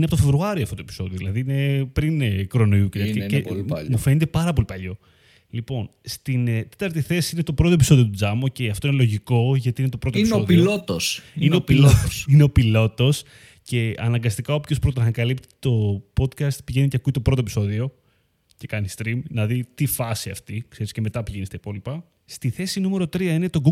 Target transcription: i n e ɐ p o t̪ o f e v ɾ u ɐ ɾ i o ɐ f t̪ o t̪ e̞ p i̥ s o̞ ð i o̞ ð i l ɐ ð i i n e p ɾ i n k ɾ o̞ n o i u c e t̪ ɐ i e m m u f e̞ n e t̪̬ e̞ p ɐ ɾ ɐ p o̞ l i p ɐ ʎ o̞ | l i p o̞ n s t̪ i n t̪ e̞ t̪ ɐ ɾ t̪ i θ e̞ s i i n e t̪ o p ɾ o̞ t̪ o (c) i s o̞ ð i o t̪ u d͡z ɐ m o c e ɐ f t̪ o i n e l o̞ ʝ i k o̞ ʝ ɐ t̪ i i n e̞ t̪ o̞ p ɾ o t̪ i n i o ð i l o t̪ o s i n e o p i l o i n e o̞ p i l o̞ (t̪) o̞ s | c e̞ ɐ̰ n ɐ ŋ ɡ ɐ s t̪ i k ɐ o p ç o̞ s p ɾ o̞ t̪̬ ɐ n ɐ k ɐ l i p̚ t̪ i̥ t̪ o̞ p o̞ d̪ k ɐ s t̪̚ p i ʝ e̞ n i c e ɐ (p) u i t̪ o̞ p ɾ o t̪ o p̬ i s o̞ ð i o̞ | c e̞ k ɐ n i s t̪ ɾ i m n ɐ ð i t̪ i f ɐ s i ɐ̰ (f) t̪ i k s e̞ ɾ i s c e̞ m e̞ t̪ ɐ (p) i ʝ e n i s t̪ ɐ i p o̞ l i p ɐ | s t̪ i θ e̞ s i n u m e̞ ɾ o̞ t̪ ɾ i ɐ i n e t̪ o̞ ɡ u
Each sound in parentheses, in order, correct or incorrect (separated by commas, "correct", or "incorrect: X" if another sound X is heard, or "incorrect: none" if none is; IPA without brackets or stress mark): incorrect: p, correct, incorrect: k, correct, correct